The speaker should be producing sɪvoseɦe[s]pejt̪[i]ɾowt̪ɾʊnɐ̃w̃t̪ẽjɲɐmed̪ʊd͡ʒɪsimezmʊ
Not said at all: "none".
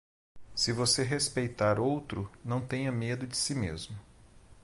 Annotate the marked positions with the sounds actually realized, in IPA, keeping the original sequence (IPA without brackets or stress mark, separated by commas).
s, a